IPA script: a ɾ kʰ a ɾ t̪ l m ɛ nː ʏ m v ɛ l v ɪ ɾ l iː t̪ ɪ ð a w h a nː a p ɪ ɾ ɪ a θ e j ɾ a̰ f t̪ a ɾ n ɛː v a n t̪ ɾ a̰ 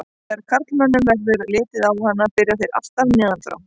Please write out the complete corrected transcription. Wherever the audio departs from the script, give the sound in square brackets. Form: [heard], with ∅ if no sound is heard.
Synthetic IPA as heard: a ɾ kʰ a ɾ t̪ l m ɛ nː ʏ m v ɛ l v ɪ ɾ l [ɪː] t̪ ɪ ð a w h a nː a p ɪ ɾ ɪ a θ e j ɾ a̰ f t̪ a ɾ n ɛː [ð] a n t̪ ɾ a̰